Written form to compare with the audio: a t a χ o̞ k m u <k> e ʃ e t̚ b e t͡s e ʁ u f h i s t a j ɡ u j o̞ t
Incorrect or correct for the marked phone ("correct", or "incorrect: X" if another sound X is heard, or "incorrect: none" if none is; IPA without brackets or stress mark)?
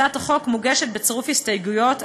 incorrect: ɡ